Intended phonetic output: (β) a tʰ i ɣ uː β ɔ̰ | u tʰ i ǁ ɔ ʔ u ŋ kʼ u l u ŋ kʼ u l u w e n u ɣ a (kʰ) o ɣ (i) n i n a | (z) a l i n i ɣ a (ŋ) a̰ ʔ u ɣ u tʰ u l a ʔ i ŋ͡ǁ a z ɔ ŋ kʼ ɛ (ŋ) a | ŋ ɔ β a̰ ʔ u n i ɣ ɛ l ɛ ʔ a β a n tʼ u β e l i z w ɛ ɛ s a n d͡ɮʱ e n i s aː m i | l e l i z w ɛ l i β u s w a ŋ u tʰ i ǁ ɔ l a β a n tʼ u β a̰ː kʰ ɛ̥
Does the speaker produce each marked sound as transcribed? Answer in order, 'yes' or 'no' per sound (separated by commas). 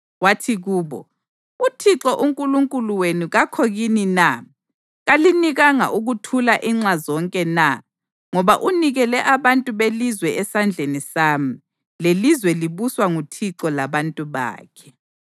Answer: no, yes, yes, no, yes, no